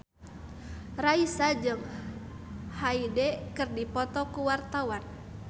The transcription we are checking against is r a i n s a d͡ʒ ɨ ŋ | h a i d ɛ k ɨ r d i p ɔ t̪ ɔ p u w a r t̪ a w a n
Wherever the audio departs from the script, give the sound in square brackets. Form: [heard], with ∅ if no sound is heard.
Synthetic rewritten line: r a i [∅] s a d͡ʒ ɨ ŋ | h a i d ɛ k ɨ r d i p ɔ t̪ ɔ [k] u w a r t̪ a w a n